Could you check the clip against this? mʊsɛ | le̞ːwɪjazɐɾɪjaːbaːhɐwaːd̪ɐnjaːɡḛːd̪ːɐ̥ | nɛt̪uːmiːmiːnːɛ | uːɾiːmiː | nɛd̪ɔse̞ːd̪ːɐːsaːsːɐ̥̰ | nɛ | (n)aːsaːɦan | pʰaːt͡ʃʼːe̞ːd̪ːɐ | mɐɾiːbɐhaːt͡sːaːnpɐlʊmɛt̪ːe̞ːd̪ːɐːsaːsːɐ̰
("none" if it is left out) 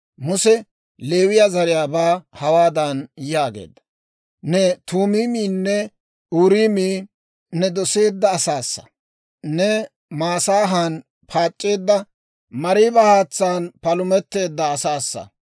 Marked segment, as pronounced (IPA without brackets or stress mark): m